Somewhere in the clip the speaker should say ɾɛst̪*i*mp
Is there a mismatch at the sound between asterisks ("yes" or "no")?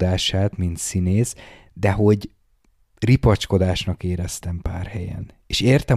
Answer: yes